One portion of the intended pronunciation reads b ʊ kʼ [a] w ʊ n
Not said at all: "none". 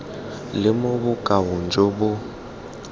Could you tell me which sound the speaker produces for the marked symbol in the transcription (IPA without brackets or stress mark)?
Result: a